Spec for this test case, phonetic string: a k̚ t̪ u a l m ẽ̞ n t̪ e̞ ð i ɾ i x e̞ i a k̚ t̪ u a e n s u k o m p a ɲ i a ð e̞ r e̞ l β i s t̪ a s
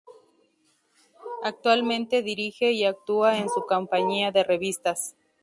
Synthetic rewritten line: a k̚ t̪ w a l m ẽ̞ n t̪ e̞ ð i ɾ i x e̞ i a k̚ t̪ u a e n s u k o m p a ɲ i a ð e̞ r e̞ β i s t̪ a s